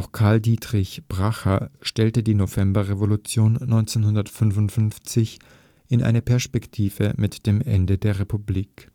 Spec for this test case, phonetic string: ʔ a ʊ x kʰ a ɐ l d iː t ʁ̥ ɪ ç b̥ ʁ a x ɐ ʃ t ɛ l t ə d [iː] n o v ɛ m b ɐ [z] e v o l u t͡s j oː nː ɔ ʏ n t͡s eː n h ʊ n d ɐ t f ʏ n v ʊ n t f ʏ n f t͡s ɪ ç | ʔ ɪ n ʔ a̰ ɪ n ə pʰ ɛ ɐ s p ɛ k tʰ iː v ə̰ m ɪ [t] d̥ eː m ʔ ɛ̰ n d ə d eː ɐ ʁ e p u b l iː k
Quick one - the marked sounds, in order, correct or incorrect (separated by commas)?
correct, incorrect, correct